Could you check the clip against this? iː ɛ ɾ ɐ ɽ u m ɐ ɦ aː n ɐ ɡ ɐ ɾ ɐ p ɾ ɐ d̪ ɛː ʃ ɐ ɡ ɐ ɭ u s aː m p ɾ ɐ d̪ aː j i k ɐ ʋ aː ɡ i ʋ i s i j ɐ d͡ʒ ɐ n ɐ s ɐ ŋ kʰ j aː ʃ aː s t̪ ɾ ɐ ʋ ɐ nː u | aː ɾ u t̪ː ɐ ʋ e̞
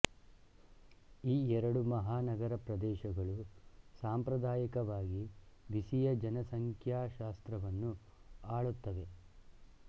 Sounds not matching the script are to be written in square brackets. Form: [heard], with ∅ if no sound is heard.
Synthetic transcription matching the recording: iː ɛ ɾ ɐ ɽ u m ɐ ɦ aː n ɐ ɡ ɐ ɾ ɐ p ɾ ɐ d̪ ɛː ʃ ɐ ɡ ɐ ɭ u s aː m p ɾ ɐ d̪ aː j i k ɐ ʋ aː ɡ i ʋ i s i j ɐ d͡ʒ ɐ n ɐ s ɐ ŋ kʰ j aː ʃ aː s t̪ ɾ ɐ ʋ ɐ nː u | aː [ɭ] u t̪ː ɐ ʋ e̞